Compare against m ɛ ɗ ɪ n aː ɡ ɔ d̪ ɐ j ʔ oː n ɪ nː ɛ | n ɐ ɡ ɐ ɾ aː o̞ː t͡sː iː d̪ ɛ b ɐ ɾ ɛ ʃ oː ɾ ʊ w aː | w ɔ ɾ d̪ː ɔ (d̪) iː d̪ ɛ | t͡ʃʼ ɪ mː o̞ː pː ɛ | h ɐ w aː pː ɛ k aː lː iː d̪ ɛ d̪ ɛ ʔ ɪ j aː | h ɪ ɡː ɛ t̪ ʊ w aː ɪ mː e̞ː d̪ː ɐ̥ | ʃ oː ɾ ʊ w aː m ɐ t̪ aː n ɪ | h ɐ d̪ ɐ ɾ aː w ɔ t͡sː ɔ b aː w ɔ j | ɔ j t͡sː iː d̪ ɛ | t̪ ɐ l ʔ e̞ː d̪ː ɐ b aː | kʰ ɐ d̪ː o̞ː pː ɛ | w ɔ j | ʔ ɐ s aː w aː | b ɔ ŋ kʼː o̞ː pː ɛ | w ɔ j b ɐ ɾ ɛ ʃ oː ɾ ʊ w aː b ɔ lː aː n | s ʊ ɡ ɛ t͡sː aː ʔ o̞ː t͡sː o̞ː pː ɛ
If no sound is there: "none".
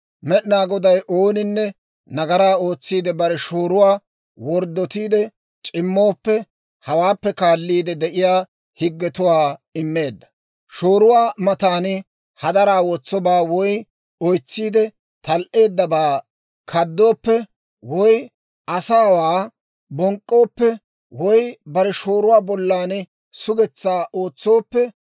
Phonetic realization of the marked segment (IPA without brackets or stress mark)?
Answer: t̪